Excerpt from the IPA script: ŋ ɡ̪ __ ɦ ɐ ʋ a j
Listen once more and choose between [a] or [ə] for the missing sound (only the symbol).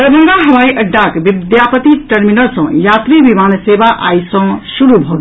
a